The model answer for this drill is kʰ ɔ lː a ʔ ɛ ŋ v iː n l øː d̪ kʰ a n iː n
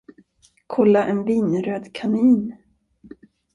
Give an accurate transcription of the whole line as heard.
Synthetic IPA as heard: kʰ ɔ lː a ʔ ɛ n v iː n ɾ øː d̪ kʰ a n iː n

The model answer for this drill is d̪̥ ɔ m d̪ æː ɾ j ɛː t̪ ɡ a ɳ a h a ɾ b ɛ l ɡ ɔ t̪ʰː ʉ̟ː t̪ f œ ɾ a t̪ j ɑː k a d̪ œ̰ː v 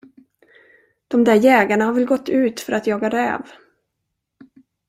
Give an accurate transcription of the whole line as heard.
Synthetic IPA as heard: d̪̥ ɔ m d̪ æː ɾ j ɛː ɡ a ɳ a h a ɾ v ɛ l ɡ ɔ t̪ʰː ʉ̟ː t̪ f œ ɾ a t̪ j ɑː ɡ a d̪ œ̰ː v

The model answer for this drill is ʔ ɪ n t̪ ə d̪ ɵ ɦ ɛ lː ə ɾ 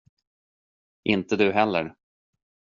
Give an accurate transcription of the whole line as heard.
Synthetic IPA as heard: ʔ ɪ n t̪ ə d̪ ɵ ɦ ɛ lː ə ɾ

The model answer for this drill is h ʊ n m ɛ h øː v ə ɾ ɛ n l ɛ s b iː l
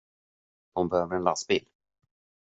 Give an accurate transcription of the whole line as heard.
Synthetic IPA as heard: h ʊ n b ɛ h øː v ə ɾ ɛ n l a s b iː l

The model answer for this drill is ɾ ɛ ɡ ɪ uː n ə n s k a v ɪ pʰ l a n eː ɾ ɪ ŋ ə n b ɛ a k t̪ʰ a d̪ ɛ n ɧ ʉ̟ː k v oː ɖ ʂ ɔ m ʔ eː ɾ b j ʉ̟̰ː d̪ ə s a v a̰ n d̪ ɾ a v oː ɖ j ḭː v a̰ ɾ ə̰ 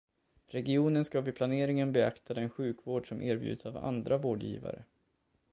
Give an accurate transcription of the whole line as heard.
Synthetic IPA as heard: ɾ ɛ ɡ ɪ uː n ə n s k a v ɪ pʰ l a n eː ɾ ɪ ŋ ə n b ɛ a k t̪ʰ a d̪ ɛ n ɧ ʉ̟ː k v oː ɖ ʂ ɔ m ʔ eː ɾ b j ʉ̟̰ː d̪ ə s a v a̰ n d̪ ɾ a v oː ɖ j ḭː v a̰ ɾ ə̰

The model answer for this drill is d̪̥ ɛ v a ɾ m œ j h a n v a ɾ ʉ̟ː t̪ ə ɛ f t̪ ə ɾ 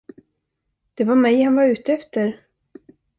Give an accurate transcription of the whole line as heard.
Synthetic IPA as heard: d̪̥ ɛ v a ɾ m ɛ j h a n v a ɾ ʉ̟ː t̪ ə ɛ f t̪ ə ɾ

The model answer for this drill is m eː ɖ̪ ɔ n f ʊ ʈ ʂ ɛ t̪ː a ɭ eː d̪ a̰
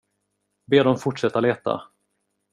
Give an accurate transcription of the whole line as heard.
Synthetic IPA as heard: b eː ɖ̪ ɔ m f ʊ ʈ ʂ ɛ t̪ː a l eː t̪ a̰

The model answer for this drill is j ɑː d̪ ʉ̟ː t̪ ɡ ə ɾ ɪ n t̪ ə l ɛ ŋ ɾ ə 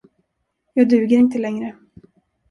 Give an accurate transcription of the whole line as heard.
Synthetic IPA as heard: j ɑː d̪ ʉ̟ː ɡ ə ɾ ɪ n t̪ ə l ɛ ŋ ɾ ə

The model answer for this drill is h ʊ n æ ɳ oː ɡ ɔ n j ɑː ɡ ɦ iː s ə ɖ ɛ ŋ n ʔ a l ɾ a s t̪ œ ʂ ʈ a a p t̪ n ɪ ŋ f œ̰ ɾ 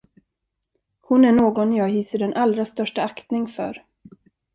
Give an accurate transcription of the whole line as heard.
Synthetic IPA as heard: h ʊ n æ ɳ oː ɡ ɔ n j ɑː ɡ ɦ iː s ə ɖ ɛ n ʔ a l ɾ a s t̪ œ ʂ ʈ a a k t̪ n ɪ ŋ f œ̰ ɾ

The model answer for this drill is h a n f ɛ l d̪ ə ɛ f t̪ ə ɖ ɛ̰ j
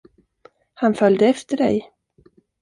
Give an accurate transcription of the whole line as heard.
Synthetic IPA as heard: h a n f œ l d̪ ə ɛ f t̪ ə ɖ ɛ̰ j

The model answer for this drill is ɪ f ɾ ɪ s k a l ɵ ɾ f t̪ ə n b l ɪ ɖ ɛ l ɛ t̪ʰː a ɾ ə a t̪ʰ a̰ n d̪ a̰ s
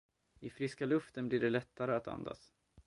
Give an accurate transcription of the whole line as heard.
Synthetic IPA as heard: ɪ f ɾ ɪ s k a l ɵ f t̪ ə n b l ɪ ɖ ɛ l ɛ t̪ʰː a ɾ ə a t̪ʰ a̰ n d̪ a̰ s

